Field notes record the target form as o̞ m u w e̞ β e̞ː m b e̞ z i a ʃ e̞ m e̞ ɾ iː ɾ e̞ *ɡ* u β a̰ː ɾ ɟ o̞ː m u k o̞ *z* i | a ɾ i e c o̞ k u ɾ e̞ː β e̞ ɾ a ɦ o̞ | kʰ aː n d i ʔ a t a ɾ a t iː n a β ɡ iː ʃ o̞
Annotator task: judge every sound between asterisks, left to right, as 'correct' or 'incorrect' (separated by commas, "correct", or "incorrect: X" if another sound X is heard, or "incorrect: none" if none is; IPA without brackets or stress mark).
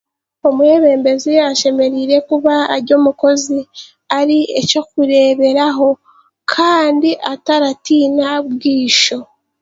incorrect: k, correct